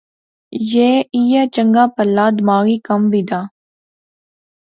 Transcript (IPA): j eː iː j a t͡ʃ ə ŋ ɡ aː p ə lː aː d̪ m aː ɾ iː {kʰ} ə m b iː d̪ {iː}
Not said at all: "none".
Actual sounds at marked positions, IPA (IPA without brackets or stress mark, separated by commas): k, aː